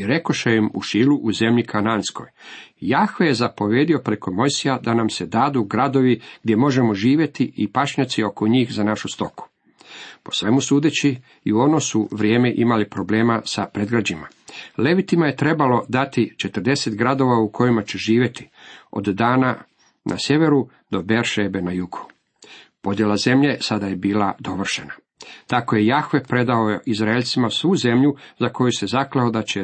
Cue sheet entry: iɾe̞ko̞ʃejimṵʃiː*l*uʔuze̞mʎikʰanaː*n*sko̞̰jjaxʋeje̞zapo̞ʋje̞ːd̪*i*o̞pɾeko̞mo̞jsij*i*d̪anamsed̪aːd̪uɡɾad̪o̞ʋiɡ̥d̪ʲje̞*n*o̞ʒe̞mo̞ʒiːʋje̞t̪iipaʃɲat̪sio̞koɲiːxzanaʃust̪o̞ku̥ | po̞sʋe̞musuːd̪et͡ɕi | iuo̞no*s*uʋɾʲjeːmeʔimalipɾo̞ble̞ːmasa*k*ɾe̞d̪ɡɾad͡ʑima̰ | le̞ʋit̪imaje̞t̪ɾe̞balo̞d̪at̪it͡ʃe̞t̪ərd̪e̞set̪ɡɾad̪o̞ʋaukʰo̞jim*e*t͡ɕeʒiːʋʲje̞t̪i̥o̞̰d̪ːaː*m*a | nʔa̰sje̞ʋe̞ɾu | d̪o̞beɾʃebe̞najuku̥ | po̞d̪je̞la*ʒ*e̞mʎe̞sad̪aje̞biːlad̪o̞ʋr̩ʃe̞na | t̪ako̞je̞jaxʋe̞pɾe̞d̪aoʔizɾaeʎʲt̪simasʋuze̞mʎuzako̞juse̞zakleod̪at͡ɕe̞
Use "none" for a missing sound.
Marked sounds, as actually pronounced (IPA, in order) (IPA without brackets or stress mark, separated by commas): l, n, i, a, m, s, p, a, n, z